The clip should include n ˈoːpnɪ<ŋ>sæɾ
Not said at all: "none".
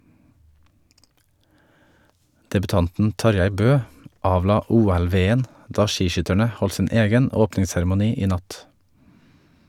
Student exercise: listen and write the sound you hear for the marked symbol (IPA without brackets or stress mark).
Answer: ŋ